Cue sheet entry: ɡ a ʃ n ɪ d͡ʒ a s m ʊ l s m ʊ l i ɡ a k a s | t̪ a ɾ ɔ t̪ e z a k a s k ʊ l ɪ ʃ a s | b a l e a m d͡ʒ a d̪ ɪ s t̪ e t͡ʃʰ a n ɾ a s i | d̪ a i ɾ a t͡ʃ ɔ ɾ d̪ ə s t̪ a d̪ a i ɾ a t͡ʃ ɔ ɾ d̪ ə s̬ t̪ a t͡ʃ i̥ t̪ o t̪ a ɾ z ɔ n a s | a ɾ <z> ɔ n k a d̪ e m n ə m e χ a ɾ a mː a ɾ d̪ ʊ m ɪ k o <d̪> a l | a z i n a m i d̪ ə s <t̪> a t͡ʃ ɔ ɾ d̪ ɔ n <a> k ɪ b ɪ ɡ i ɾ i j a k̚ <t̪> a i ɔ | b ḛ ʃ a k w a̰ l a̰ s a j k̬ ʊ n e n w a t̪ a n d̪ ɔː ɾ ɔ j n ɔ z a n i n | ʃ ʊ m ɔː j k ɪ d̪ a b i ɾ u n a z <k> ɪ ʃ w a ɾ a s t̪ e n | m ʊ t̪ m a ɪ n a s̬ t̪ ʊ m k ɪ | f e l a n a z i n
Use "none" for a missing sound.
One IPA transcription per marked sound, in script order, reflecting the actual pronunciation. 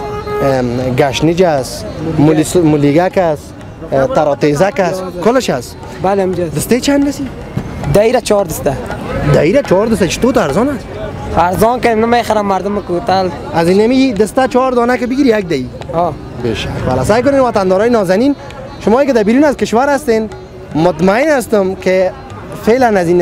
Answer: z, t̪, t̪, a, d̪, k

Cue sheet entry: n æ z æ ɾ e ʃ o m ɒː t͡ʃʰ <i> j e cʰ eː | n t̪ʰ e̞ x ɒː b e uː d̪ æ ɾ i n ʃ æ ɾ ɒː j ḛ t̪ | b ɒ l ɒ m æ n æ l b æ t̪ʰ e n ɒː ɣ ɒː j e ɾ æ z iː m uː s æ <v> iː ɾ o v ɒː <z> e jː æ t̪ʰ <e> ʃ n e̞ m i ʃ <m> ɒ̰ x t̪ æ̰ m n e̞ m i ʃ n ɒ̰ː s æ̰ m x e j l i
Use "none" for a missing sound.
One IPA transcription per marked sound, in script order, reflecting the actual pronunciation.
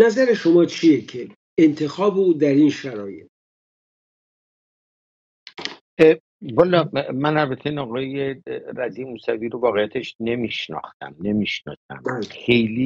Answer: i, v, ɣ, e, n

